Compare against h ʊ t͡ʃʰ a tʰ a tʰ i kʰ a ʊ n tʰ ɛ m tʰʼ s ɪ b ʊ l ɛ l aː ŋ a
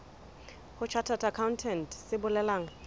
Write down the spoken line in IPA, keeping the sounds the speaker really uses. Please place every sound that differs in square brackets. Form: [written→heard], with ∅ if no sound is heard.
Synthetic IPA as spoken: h ʊ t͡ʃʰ a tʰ a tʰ [i→a] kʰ a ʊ n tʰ ɛ [m→n] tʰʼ s ɪ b ʊ l ɛ l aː ŋ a